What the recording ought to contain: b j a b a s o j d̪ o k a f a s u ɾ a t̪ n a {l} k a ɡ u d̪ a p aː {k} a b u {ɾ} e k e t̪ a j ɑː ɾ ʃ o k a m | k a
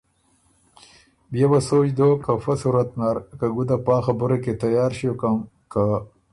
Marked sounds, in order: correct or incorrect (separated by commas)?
incorrect, incorrect, correct